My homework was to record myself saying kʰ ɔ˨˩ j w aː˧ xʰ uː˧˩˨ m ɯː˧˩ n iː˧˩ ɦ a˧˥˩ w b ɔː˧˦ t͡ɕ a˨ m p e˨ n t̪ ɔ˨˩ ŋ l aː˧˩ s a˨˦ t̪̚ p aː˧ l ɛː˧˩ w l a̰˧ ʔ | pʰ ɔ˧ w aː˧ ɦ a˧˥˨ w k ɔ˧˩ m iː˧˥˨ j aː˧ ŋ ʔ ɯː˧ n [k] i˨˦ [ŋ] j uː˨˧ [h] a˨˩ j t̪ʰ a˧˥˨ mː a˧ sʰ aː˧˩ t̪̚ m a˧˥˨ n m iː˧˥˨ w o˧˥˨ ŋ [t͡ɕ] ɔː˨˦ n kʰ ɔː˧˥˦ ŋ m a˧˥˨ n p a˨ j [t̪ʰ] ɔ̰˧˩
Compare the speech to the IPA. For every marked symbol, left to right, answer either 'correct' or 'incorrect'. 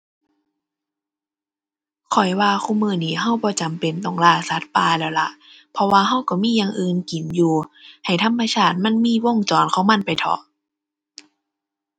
correct, incorrect, correct, correct, correct

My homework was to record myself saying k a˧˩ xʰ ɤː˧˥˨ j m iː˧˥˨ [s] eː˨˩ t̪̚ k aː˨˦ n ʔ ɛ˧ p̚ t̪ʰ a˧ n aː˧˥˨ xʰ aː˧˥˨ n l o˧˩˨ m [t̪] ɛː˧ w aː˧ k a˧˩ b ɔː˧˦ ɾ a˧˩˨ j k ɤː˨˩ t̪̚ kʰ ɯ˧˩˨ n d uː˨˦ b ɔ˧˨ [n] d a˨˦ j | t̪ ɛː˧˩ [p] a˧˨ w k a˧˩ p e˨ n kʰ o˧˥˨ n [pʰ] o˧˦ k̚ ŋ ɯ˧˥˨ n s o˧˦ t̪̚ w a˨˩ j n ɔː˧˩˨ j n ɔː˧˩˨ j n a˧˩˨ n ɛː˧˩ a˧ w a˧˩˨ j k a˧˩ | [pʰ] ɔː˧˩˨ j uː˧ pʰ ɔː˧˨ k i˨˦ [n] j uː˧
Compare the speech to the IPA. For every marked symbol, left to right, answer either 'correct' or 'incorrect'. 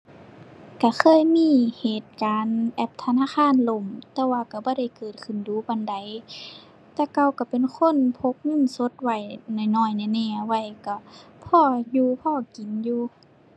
incorrect, correct, correct, incorrect, correct, correct, correct

